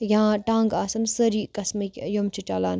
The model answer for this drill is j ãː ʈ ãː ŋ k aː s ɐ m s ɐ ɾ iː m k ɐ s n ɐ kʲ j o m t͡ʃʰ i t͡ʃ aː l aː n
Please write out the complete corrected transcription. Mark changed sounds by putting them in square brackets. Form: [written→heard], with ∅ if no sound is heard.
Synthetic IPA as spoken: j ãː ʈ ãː ŋ [k→ɡ] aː s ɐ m s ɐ ɾ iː [m→∅] k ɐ s [n→m] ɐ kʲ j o m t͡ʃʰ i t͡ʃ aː l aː n